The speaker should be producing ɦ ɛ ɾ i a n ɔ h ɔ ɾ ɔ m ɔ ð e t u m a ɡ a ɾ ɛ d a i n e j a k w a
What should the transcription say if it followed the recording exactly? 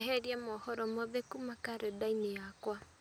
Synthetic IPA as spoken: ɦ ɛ ɾ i a m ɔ h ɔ ɾ ɔ m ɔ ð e k u m a k a ɾ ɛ d a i n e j a k w a